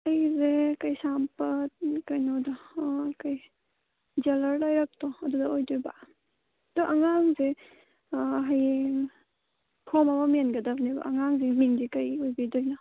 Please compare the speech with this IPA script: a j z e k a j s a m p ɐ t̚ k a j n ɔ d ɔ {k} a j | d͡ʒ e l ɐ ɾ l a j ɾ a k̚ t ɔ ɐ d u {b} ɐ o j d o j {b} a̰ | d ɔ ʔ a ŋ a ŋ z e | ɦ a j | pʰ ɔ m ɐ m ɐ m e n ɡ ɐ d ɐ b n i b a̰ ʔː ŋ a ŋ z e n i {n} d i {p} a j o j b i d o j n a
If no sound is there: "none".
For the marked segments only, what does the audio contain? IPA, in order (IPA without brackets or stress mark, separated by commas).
k, d, b, ŋ, k